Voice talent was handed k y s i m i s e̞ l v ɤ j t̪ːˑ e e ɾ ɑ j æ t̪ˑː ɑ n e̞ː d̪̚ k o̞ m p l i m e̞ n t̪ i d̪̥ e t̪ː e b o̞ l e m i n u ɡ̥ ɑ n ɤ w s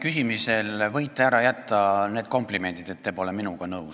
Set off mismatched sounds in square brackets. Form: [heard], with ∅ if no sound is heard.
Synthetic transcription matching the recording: k y s i m i s e̞ l v ɤ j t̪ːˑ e [æ] ɾ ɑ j æ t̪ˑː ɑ n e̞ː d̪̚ k o̞ m p l i m e̞ n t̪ i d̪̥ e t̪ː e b o̞ l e m i n u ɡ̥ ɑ n ɤ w s